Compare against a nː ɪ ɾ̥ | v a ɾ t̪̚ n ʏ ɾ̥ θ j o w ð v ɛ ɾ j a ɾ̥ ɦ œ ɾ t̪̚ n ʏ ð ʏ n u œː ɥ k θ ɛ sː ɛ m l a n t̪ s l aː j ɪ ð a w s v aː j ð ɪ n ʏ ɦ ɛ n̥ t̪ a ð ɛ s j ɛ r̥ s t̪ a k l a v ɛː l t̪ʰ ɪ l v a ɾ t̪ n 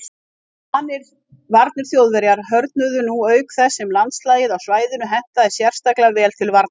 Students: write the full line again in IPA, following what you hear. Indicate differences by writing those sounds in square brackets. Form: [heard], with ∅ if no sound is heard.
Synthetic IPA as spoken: a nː ɪ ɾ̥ | v a ɾ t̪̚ n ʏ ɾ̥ θ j o w ð v ɛ ɾ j a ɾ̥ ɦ œ ɾ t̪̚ n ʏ ð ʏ n u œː ɥ k θ ɛ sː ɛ m l a n t̪ s l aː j ɪ ð a w s v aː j ð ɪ n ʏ ɦ ɛ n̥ t̪ a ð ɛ s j ɛ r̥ s t̪ a k l a v ɛː l t̪ʰ ɪ l v a ɾ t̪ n